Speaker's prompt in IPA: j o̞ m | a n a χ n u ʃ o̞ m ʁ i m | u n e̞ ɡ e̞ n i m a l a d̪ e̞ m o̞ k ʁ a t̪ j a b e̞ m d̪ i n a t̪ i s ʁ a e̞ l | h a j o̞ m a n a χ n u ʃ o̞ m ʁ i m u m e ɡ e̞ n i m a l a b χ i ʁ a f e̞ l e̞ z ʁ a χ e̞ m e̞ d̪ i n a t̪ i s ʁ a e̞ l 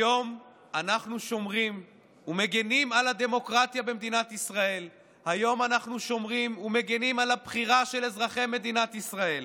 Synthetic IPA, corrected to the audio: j o̞ m | a n a χ n u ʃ o̞ m ʁ i m | u m e̞ ɡ e̞ n i m a l a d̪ e̞ m o̞ k ʁ a t̪ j a b e̞ m d̪ i n a t̪ i s ʁ a e̞ l | h a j o̞ m a n a χ n u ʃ o̞ m ʁ i m u m e ɡ e̞ n i m a l a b χ i ʁ a ʃ e̞ l e̞ z ʁ a χ e̞ m e̞ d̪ i n a t̪ i s ʁ a e̞ l